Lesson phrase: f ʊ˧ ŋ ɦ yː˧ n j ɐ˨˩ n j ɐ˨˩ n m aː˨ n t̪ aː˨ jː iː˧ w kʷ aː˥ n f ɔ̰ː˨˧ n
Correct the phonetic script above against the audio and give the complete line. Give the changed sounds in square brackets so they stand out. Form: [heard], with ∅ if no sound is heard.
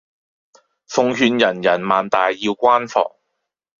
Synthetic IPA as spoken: f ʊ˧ ŋ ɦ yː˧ n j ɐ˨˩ n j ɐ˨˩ n m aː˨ n t̪ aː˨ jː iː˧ w kʷ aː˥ n f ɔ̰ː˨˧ [ŋ]

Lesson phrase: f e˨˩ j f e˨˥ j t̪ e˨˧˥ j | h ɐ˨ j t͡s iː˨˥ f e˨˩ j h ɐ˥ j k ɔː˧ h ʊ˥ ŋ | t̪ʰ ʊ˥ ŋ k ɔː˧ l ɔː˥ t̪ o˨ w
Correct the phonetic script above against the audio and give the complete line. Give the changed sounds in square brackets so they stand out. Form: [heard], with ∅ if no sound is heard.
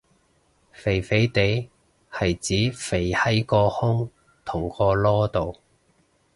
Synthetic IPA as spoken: f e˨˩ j f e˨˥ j t̪ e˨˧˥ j | h ɐ˨ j t͡s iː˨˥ f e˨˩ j h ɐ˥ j k ɔː˧ h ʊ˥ ŋ | t̪ʰ [ʊ˨˩] ŋ k ɔː˧ l ɔː˥ t̪ o˨ w

